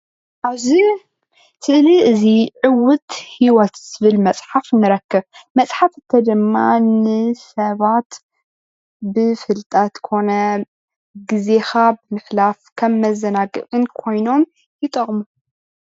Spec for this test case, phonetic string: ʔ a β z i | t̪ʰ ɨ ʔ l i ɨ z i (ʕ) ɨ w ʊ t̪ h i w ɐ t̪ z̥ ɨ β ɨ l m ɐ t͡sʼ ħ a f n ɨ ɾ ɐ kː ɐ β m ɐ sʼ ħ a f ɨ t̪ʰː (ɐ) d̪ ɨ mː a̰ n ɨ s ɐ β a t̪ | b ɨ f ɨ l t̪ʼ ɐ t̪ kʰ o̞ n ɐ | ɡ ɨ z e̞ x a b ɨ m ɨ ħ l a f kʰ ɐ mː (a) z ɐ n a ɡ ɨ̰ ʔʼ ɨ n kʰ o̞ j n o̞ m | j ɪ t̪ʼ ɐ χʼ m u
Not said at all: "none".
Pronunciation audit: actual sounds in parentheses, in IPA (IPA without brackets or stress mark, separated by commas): ʕ, ɐ, ɐ